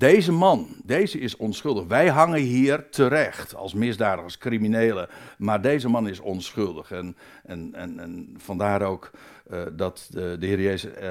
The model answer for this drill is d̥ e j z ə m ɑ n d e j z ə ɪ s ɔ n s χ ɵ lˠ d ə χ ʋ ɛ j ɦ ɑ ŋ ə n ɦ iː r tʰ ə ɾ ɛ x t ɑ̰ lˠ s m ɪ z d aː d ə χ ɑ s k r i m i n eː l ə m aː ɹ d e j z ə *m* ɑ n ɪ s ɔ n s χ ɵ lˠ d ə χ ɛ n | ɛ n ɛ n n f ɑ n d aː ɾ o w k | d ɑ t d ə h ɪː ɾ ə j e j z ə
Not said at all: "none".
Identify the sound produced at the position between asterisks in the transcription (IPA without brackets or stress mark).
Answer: m